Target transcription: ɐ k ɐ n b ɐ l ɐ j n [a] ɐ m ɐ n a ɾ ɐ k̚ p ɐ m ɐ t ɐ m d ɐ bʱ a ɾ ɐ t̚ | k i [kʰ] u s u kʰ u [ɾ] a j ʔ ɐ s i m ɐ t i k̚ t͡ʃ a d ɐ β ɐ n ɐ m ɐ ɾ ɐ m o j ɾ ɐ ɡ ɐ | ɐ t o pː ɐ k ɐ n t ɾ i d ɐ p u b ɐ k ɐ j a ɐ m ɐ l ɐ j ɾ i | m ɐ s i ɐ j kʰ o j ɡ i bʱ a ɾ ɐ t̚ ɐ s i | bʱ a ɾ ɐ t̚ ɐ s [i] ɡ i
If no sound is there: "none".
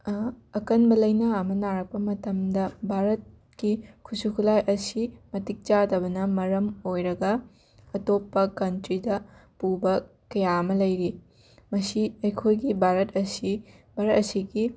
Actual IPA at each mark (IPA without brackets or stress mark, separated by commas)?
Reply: ɐ, kʰ, l, i